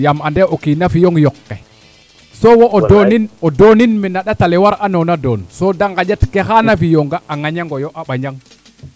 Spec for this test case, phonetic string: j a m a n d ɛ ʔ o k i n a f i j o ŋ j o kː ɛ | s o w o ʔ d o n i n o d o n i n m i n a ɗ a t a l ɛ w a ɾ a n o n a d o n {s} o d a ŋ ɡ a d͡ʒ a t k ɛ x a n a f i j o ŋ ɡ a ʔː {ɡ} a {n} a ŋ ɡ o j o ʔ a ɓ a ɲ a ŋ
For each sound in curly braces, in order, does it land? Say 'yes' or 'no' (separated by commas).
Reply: yes, no, no